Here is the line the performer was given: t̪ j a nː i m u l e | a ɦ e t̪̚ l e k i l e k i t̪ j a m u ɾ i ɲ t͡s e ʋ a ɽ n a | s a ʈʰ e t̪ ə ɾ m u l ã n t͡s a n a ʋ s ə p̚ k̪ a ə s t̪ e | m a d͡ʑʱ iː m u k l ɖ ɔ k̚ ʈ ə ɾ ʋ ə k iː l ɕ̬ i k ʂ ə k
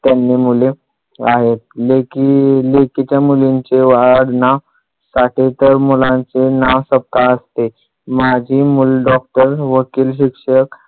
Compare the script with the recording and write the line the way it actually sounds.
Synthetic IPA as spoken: t̪ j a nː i m u l e | a ɦ e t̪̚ l e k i l e k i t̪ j a m u l i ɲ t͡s e ʋ a ɽ n a | s a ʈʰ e t̪ ə ɾ m u l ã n t͡s e n a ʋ s ə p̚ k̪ a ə s t̪ e | m a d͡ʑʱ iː m u l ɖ ɔ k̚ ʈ ə ɾ ʋ ə k iː l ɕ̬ i k ʂ ə k